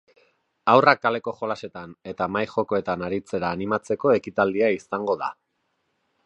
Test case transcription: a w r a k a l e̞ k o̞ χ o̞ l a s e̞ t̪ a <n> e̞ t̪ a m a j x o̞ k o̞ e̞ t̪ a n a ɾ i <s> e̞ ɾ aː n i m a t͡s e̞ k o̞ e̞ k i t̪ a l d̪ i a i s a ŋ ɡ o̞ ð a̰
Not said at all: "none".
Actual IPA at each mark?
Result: n, t͡s

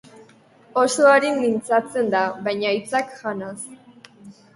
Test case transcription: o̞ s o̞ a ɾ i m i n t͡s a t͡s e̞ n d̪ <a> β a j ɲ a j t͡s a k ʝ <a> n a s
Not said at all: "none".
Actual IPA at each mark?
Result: a, a

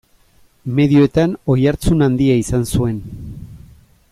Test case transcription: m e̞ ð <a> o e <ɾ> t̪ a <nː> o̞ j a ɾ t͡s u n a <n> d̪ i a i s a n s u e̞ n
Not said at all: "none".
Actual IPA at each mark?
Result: i, none, n, n

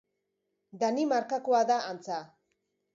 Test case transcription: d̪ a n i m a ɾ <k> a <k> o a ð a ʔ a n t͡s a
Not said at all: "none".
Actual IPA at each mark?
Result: k, k

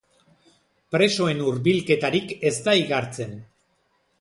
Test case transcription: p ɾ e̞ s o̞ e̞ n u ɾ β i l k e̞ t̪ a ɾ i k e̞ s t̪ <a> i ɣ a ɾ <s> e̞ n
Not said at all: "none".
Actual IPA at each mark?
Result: a, t͡s

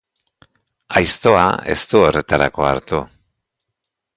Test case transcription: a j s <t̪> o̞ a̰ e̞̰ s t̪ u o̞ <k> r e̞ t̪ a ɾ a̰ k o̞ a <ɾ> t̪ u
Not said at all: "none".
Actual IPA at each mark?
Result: t̪, none, ɾ

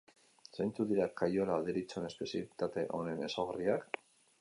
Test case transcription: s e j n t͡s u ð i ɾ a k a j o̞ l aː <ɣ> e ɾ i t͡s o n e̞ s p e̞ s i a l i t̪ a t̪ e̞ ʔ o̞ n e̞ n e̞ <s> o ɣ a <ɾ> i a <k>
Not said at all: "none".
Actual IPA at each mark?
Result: ð, s, r, k

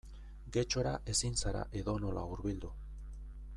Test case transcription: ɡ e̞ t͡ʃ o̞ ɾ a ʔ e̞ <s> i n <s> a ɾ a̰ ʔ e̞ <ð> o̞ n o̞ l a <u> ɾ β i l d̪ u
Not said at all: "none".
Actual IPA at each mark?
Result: s, s, ð, u

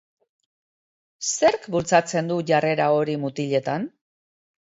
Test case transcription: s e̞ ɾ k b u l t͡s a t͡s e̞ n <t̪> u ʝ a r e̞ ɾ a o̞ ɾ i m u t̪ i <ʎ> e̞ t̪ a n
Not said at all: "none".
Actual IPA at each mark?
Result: d̪, ʎ

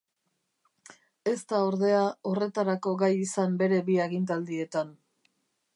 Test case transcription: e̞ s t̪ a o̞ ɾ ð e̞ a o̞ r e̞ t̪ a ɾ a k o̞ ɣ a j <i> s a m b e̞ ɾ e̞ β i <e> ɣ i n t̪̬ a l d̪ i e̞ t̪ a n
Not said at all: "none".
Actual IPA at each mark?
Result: i, a

